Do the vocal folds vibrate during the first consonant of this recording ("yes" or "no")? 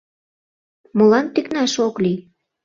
yes